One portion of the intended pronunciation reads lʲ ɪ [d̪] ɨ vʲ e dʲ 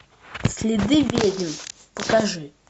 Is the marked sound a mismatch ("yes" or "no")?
no